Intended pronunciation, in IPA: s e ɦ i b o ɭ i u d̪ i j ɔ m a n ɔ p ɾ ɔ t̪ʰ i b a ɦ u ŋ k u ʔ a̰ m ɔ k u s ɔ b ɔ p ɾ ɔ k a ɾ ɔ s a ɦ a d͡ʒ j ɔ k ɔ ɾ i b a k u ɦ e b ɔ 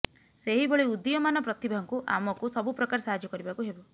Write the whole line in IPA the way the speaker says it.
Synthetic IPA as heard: s e ɦ i b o ɭ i u d̪ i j ɔ m a n ɔ p ɾ ɔ t̪ i b a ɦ ɔ ŋ k u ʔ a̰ m ɔ k u s ɔ b u p ɾ ɔ k a ɾ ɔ s a ɦ a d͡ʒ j ɔ k ɔ ɾ i b a k u ɦ e b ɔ